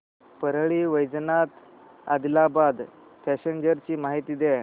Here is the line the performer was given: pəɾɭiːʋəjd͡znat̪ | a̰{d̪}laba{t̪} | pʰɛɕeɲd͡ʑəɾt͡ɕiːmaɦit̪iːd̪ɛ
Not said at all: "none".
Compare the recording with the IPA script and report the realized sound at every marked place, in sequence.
d̪, d̪

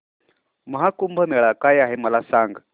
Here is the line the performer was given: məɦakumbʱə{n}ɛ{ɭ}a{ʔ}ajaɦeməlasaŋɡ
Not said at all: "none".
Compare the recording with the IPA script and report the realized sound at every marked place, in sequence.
m, ɭ, k

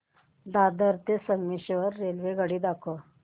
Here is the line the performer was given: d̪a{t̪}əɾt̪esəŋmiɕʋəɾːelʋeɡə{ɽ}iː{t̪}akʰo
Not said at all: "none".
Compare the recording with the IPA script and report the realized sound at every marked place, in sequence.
d̪, ɽ, d̪

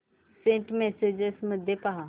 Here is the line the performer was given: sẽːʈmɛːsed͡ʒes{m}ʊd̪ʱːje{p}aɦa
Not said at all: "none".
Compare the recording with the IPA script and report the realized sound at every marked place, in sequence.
m, p

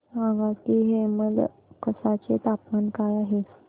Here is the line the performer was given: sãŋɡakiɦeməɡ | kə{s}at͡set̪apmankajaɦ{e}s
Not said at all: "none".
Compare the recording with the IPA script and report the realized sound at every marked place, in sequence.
s, e

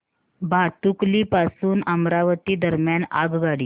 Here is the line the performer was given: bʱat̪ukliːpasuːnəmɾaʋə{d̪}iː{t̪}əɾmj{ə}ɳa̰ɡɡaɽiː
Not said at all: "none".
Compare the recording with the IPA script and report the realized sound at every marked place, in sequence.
t̪, d̪, a

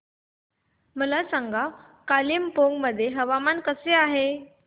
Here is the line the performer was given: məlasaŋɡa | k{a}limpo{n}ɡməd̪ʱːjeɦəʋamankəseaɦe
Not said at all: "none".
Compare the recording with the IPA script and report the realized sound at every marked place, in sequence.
a, ŋ

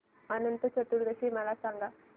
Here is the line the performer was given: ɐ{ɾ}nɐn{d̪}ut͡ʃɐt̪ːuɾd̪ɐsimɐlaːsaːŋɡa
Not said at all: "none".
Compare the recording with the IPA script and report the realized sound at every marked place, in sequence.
none, t̪

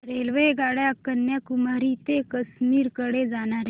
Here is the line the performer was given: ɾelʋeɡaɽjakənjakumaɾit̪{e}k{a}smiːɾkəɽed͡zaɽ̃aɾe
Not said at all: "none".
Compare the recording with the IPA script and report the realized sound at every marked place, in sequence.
e, ə

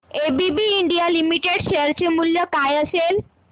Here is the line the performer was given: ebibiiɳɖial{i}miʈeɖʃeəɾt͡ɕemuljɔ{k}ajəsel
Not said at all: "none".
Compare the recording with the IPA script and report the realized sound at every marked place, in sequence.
i, k

